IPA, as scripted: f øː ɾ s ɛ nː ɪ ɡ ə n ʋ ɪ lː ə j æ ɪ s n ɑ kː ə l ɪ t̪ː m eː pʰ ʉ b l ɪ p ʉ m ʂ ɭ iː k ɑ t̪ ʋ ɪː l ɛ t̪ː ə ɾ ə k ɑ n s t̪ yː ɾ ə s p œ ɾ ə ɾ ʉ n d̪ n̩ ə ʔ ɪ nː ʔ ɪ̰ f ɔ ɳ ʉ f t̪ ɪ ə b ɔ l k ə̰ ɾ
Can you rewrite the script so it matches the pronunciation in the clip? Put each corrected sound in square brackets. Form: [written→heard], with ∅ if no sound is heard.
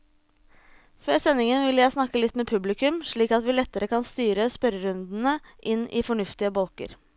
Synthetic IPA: f øː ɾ s ɛ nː ɪ [ɡ→ŋ] ə n ʋ ɪ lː ə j æ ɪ s n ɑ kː ə l ɪ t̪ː m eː pʰ ʉ b l ɪ [p→k] ʉ m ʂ ɭ iː k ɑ t̪ ʋ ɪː l ɛ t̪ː ə ɾ ə k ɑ n s t̪ yː ɾ ə s p œ ɾ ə ɾ ʉ n d̪ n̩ ə ʔ ɪ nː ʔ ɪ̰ f ɔ ɳ ʉ f t̪ ɪ ə b ɔ l k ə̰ ɾ